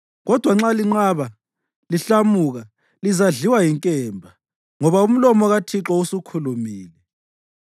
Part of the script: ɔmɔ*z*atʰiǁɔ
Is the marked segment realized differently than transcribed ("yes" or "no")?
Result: yes